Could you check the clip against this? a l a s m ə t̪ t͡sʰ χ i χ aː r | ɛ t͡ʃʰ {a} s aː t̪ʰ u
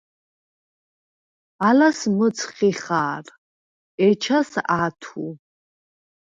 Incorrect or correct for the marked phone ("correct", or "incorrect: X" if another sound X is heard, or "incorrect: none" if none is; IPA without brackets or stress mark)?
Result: correct